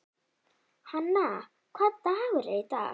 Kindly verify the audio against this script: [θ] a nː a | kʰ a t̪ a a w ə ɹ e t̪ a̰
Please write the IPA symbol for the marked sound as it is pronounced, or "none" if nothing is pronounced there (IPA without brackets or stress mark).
h